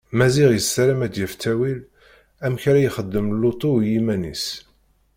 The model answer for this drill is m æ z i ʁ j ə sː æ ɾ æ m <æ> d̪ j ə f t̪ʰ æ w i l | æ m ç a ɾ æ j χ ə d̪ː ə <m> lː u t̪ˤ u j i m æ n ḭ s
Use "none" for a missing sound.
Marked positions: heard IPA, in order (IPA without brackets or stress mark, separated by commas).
æ, m